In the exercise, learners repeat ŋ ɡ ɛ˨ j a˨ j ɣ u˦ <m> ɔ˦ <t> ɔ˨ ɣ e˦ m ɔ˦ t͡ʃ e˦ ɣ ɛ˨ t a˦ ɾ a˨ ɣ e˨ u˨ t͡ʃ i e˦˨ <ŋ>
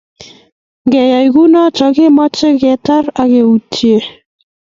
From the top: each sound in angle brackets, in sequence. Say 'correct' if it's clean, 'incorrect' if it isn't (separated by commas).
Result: incorrect, incorrect, incorrect